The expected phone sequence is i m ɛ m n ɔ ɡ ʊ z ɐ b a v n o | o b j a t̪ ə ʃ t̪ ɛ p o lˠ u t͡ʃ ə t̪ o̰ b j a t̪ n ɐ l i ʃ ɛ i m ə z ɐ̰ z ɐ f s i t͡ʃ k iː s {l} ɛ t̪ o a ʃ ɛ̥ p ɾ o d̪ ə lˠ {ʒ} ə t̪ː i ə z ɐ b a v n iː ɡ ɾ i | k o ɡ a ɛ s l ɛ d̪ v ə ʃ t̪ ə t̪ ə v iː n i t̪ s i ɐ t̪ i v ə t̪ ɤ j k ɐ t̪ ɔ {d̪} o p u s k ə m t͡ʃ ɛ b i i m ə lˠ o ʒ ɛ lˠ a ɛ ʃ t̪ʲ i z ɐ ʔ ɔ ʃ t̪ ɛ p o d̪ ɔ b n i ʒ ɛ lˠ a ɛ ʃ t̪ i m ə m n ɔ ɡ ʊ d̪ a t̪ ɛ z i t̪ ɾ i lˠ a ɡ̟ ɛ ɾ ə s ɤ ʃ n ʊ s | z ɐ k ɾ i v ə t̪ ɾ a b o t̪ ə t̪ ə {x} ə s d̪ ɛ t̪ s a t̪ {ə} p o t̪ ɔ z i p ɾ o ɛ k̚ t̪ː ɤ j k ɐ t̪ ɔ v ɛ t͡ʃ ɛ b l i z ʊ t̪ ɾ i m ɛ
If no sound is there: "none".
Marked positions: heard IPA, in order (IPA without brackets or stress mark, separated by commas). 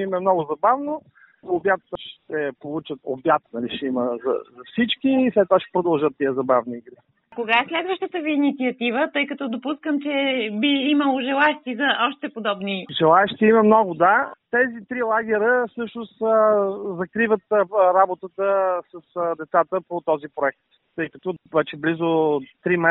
l, ʒ, d̪, s, ə